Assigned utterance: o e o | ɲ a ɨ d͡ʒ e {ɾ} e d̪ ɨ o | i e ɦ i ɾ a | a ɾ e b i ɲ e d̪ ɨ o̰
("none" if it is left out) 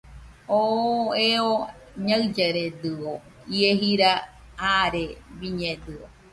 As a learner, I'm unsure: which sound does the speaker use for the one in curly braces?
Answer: ɾ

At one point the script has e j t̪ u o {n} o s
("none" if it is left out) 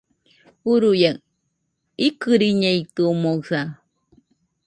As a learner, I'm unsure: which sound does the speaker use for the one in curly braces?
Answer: m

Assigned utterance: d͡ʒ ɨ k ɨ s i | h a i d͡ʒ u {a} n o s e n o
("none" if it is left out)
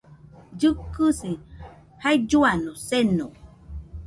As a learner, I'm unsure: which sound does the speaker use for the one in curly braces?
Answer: a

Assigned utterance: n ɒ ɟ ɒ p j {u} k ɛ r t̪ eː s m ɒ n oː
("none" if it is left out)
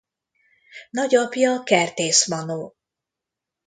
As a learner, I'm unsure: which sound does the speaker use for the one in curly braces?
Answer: ɒ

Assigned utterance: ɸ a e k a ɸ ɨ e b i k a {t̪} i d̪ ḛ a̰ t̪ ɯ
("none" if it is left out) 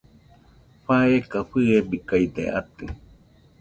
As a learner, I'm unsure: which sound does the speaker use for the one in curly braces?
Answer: none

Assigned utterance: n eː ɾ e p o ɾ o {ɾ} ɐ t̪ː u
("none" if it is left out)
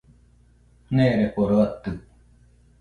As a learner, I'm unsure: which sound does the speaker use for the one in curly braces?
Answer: none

